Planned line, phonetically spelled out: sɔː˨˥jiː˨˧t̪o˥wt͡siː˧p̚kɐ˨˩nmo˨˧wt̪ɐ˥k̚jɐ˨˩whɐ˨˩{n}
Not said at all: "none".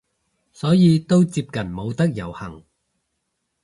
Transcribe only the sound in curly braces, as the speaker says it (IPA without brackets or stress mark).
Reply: ŋ